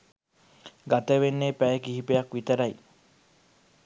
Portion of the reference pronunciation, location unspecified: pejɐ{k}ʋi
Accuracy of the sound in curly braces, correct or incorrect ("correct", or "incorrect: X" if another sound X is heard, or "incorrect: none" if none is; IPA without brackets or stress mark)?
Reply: correct